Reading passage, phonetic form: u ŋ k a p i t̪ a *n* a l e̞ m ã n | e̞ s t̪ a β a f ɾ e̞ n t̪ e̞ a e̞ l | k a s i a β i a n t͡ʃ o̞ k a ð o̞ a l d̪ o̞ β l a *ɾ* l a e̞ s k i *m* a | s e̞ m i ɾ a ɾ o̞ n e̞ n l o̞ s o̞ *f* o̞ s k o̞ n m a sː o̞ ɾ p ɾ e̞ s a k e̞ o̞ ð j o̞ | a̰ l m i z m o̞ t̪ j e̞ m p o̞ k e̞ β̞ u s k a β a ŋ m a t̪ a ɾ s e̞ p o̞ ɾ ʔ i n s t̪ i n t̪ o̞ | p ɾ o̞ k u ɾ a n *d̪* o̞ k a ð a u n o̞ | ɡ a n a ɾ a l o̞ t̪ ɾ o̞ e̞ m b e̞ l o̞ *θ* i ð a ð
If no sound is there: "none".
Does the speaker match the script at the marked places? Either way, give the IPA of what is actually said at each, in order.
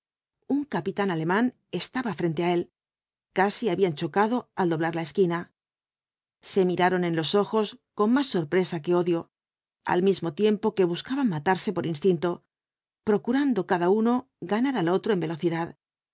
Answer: n, ɾ, n, x, d̪, θ

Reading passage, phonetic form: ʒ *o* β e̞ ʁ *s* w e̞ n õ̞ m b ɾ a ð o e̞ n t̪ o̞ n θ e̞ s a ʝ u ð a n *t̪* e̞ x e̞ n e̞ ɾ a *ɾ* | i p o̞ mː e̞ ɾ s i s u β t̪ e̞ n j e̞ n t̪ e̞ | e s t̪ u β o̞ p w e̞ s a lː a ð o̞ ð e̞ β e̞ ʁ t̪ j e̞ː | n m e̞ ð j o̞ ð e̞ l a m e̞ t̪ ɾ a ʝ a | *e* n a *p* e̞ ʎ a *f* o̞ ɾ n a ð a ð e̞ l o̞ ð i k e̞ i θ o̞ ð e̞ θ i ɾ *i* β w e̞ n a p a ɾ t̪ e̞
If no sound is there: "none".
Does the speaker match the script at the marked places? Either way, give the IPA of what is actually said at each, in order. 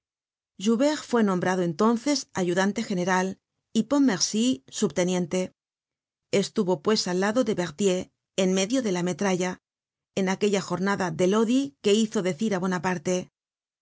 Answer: u, f, t̪, l, e, k, x, a

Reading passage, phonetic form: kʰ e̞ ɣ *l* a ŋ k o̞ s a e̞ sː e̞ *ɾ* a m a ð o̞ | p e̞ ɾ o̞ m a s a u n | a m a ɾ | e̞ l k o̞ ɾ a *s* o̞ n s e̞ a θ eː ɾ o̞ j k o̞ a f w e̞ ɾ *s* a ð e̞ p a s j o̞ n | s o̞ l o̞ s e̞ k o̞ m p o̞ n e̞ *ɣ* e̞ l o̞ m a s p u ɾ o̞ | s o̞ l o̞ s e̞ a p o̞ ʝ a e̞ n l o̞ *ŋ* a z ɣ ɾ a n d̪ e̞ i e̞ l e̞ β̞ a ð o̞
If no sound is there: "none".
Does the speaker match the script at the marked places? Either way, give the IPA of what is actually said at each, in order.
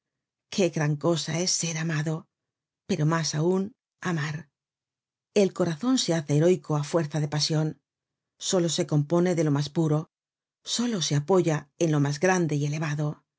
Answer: ɾ, ɾ, θ, θ, ð, m

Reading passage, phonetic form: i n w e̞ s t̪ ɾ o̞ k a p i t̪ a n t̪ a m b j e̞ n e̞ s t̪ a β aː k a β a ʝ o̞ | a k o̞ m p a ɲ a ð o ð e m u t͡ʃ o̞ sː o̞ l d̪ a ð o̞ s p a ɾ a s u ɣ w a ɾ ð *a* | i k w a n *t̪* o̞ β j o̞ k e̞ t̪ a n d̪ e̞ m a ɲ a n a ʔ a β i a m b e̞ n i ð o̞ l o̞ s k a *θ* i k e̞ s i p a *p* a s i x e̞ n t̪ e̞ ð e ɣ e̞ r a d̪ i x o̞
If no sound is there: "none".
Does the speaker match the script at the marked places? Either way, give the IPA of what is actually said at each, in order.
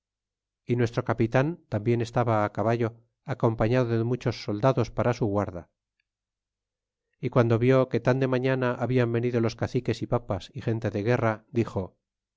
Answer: a, d̪, θ, p

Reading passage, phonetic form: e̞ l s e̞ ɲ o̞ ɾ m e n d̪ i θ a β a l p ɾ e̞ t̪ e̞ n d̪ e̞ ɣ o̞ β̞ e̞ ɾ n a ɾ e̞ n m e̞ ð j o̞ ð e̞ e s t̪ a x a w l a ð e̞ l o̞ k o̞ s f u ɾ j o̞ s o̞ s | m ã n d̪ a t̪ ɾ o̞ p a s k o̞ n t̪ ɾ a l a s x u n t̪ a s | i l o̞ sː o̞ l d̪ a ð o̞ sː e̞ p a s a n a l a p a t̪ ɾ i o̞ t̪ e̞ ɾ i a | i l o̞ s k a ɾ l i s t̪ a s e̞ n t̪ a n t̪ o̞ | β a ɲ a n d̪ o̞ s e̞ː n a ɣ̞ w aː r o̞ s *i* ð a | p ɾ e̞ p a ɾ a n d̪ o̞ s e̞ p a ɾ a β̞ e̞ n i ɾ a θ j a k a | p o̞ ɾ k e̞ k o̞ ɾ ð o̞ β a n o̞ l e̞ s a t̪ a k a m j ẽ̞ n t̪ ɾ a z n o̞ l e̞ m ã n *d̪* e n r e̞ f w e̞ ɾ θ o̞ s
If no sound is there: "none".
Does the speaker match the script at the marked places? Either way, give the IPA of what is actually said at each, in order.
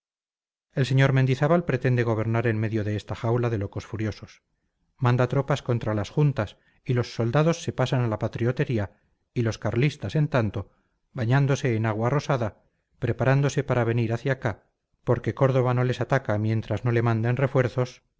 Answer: a, d̪

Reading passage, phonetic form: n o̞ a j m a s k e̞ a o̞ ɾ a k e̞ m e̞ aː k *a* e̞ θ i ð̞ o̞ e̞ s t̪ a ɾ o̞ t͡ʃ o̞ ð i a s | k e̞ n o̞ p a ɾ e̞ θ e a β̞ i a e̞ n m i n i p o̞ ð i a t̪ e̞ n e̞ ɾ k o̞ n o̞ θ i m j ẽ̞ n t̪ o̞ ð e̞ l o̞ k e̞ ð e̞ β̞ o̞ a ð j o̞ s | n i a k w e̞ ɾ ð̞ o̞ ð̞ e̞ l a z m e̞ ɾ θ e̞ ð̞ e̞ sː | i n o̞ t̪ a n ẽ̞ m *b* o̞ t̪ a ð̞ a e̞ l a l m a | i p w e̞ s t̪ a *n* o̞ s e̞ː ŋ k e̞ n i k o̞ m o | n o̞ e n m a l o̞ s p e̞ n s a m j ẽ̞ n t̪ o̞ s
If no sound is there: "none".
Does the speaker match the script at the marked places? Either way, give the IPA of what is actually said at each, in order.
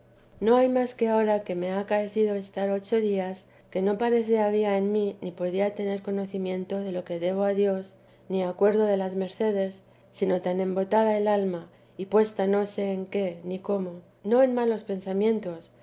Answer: a, b, n

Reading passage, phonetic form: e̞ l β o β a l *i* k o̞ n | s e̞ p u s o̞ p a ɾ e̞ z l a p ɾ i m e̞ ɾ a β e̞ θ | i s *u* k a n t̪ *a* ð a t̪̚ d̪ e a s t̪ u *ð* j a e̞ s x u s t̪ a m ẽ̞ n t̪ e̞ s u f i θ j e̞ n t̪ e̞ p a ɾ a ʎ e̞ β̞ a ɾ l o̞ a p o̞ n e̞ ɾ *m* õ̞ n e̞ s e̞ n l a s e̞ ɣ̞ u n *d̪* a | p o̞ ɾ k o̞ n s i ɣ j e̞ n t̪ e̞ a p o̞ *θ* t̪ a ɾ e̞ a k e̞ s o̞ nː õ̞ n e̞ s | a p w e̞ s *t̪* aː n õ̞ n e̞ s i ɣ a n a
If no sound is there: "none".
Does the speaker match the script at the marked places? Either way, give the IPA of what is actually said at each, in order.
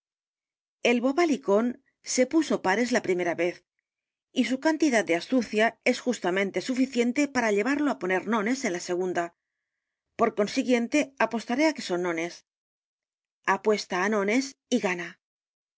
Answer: i, u, i, θ, n, d̪, s, t̪

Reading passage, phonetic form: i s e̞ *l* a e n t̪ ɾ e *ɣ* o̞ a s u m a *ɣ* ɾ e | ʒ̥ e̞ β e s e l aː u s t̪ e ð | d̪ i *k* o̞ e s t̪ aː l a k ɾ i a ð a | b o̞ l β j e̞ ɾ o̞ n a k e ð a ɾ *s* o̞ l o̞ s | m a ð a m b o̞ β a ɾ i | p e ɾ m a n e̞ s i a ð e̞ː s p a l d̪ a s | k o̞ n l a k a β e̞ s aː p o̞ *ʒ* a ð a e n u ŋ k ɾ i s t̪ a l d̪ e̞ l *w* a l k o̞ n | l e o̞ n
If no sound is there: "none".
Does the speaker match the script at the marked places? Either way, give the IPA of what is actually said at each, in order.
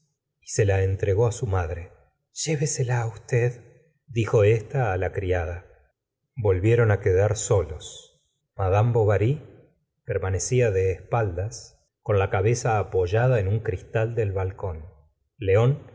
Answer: l, ɣ, ð, x, s, ʒ, β

